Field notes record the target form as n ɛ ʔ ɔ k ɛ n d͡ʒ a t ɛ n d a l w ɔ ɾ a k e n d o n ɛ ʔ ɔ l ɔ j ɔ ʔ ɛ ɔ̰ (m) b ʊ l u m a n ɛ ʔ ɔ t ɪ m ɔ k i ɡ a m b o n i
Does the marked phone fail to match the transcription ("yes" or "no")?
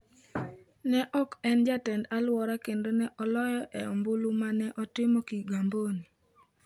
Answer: no